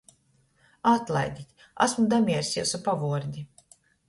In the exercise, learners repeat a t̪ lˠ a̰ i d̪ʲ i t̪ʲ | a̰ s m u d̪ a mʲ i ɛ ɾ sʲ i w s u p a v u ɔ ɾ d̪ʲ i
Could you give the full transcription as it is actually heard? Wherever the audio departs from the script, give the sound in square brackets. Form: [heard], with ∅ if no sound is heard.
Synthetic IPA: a t̪ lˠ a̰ [j] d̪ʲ i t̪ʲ | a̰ s m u d̪ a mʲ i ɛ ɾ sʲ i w s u p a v u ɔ ɾ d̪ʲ i